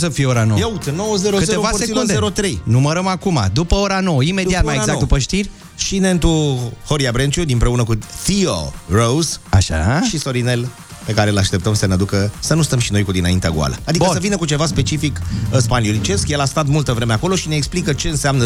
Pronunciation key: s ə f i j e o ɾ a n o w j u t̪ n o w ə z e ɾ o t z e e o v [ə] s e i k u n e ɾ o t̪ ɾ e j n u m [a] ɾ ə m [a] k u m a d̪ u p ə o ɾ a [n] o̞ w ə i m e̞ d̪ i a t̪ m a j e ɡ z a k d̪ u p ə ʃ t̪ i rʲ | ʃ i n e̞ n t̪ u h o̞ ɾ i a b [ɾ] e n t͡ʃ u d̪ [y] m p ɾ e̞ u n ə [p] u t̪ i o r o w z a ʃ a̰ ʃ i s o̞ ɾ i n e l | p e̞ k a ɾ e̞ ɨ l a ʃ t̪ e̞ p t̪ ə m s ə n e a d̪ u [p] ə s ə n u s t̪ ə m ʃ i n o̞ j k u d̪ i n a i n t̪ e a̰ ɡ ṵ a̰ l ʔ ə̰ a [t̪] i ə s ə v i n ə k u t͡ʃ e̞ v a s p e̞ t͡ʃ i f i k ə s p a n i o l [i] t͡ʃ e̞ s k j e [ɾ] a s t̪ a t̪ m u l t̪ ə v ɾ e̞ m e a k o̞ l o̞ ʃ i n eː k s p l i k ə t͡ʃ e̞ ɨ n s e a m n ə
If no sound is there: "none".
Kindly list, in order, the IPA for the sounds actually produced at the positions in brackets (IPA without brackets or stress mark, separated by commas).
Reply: a, ə, a, n, ɾ, i, k, k, d̪, i, l